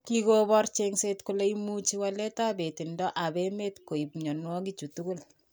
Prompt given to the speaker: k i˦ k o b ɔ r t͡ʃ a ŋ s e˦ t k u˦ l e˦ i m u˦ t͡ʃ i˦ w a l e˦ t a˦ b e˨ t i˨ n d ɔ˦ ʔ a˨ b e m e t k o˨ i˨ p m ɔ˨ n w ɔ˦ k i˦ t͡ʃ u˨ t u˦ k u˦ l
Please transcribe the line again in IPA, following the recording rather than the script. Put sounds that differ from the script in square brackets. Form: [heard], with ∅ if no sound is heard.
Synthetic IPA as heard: k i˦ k o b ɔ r t͡ʃ [e] ŋ s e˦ t k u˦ l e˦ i m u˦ t͡ʃ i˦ w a l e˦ t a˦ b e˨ t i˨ n d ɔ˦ ʔ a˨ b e m e t k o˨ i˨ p [ɲ] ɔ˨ n w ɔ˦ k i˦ t͡ʃ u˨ t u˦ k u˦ l

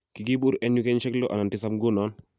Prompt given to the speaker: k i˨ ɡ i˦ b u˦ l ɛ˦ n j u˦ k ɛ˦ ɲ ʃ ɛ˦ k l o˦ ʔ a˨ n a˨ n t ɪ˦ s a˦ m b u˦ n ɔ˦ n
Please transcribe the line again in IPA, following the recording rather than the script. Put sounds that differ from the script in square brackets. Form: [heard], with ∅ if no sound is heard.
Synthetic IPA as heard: k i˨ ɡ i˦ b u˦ [ɾ] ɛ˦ n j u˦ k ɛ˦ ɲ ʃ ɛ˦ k l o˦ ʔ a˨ n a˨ n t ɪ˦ s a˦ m [ɡ] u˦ n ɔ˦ n

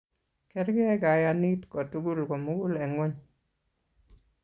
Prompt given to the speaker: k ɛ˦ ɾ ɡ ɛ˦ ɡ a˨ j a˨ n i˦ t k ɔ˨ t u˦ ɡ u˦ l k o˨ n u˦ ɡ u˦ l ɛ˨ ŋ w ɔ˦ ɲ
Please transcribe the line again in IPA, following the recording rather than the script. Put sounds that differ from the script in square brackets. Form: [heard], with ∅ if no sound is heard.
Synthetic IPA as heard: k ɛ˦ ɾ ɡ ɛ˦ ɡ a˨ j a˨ n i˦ t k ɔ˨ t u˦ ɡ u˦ l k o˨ [m] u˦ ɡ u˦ l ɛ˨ ŋ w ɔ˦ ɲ

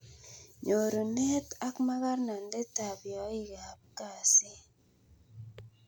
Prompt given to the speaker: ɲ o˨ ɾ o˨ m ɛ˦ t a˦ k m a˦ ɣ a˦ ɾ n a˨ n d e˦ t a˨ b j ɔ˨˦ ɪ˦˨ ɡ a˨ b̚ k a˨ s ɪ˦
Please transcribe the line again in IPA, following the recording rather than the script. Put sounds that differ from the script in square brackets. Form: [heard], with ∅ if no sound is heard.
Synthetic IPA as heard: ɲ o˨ ɾ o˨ [n] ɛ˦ t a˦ k m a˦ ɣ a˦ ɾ n a˨ n d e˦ t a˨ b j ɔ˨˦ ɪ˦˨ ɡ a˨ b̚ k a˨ s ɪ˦

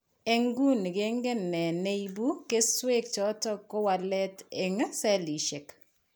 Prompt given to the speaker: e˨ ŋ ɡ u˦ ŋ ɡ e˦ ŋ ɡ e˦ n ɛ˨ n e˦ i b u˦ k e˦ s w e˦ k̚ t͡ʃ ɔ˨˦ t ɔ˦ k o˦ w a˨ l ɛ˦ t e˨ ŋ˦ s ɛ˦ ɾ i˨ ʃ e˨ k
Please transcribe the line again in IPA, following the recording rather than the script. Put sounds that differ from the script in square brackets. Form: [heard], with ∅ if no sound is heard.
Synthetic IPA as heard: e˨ ŋ ɡ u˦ [n] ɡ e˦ ŋ ɡ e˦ n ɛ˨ n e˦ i b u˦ k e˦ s w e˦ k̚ t͡ʃ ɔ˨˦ t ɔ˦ k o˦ w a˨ l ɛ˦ t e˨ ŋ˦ s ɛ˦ [l] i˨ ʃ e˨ k

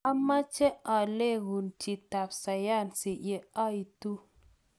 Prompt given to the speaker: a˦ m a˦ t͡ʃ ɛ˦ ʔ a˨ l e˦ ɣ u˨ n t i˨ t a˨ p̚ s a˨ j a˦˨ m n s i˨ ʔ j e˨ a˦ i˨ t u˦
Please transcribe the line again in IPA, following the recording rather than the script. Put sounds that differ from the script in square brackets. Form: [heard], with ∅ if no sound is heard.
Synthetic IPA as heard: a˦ m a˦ t͡ʃ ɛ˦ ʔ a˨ l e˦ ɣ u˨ n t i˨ t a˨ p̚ s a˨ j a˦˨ [∅] n s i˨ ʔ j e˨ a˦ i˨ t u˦

